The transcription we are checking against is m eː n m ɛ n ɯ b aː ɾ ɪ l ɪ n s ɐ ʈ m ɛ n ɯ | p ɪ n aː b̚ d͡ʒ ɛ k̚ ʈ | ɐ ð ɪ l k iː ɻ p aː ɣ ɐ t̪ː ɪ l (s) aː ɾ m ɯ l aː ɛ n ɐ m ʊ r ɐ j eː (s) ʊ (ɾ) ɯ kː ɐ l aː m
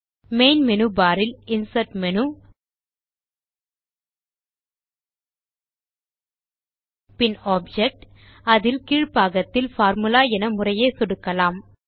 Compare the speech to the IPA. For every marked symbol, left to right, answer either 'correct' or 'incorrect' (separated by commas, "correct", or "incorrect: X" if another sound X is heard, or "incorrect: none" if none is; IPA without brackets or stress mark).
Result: incorrect: f, correct, incorrect: ɽ